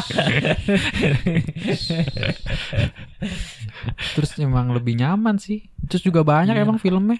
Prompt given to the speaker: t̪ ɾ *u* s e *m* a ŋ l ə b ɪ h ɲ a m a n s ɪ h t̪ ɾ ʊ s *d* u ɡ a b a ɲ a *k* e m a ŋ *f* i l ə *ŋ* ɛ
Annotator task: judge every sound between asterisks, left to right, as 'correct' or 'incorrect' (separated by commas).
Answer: incorrect, correct, incorrect, correct, correct, incorrect